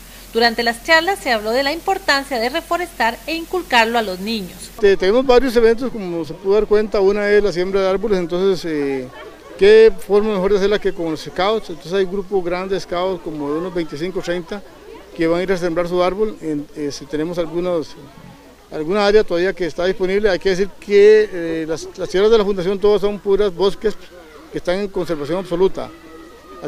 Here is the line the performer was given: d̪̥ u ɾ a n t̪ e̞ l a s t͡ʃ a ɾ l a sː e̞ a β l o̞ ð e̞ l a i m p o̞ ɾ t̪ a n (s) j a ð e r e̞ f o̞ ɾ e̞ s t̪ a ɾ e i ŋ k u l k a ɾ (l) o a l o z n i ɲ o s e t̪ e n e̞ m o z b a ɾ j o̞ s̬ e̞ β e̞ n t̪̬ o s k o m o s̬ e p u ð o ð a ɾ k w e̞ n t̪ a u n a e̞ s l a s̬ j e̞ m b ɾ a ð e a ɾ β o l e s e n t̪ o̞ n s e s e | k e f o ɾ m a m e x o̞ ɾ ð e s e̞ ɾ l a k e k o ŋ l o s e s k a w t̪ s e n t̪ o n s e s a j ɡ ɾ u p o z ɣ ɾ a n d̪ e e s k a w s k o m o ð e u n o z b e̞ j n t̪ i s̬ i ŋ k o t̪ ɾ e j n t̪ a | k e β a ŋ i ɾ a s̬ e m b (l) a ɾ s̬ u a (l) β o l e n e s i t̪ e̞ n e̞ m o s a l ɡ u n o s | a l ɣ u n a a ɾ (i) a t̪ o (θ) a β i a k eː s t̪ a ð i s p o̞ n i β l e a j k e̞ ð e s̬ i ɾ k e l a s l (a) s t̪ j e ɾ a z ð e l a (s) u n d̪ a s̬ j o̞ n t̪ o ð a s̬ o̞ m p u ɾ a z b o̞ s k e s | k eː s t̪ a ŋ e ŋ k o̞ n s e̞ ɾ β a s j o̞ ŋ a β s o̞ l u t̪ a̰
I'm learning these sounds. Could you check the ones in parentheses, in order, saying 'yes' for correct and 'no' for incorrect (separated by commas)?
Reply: yes, yes, no, no, no, no, yes, no